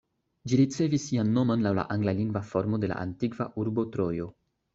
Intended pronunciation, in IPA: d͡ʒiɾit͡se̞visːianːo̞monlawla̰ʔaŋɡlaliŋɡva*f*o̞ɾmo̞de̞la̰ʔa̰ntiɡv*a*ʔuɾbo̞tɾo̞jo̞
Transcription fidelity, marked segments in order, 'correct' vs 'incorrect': correct, correct

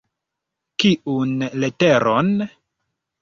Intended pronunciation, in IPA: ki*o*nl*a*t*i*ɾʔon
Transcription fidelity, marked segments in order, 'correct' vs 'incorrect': incorrect: u, incorrect: e, incorrect: e

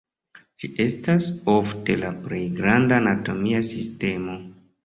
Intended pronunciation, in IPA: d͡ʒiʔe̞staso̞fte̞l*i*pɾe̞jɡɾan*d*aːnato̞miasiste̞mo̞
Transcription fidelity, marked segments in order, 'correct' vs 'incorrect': incorrect: a, correct

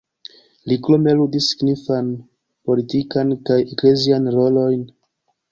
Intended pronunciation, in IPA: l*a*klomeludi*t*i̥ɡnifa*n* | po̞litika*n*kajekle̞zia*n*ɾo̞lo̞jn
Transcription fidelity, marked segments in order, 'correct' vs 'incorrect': incorrect: i, incorrect: s, correct, correct, correct

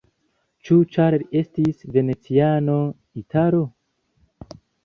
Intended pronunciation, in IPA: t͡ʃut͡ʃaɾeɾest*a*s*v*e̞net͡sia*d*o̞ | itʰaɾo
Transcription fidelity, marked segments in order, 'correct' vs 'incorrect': incorrect: i, correct, incorrect: n

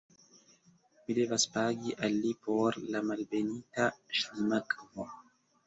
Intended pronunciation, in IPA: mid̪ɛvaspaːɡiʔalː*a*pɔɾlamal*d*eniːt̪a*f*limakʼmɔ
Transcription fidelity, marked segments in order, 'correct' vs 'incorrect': incorrect: i, incorrect: b, incorrect: ʃ

